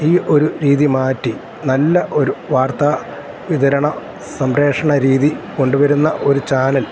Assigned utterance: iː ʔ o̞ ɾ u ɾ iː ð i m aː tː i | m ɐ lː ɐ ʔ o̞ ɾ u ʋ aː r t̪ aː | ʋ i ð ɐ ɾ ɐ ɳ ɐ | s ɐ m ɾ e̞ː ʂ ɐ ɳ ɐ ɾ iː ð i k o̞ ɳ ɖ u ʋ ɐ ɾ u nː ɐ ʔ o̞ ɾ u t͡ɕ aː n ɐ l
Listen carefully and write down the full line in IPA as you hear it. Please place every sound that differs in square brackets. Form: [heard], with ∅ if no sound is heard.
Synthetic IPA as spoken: iː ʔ o̞ ɾ u ɾ iː ð i m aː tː i | [n] ɐ lː ɐ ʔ o̞ ɾ u ʋ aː r t̪ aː | ʋ i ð ɐ ɾ ɐ ɳ ɐ | s ɐ m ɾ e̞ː ʂ ɐ ɳ ɐ ɾ iː ð i k o̞ ɳ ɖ u ʋ ɐ ɾ u nː ɐ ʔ o̞ ɾ u t͡ɕ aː n ɐ l